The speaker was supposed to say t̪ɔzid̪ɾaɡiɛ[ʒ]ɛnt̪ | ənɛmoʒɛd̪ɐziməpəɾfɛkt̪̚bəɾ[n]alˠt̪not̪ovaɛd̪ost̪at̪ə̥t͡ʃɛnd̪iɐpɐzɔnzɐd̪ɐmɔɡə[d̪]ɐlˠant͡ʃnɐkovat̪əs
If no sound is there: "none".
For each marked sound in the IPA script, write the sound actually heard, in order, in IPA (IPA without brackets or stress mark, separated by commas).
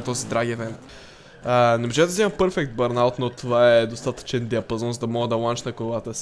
v, n, d̪